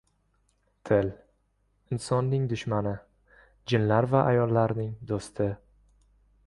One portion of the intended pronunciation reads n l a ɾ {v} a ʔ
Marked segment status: correct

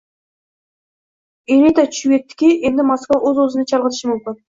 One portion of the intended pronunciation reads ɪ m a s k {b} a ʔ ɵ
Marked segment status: incorrect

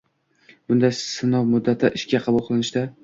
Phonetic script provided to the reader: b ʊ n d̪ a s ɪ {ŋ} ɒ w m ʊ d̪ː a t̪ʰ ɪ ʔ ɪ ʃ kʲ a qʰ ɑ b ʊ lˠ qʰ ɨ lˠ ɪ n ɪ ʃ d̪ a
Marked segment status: incorrect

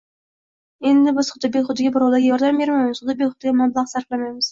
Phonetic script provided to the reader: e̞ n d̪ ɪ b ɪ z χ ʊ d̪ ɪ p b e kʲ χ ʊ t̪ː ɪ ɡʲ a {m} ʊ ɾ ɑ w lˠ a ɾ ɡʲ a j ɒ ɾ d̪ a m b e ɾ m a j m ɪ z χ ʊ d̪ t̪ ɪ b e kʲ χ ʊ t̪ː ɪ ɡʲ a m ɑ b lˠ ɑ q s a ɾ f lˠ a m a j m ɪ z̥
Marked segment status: incorrect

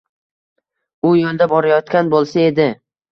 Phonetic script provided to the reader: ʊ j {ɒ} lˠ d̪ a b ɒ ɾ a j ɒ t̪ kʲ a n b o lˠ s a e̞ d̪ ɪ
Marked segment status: incorrect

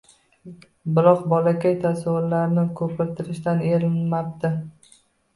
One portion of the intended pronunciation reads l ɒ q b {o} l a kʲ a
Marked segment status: incorrect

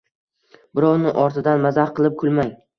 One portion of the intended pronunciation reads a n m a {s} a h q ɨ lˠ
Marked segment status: incorrect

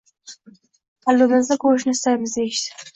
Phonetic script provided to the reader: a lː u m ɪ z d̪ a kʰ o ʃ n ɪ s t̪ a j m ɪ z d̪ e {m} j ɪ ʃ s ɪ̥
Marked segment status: incorrect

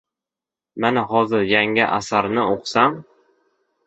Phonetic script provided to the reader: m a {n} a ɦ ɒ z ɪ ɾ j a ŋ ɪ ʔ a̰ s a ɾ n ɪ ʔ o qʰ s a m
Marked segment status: correct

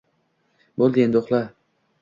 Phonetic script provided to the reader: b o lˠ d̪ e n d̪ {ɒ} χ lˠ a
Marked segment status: incorrect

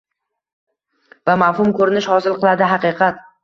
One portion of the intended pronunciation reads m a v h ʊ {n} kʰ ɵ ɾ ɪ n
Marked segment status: incorrect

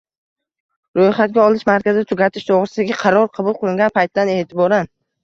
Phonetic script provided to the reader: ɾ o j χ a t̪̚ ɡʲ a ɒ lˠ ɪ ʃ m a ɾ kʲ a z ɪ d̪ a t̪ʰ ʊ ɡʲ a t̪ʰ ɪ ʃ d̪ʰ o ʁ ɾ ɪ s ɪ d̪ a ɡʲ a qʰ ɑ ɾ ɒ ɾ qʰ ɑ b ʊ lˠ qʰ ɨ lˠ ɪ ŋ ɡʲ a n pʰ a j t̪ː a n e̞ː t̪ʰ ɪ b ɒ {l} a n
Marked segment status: incorrect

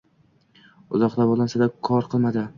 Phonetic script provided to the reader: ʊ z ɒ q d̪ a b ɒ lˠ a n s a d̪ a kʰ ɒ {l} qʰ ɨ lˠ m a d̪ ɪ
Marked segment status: incorrect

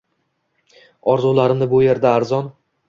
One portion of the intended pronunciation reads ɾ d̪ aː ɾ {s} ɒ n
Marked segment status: incorrect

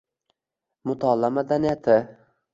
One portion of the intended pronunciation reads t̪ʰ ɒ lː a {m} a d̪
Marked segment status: correct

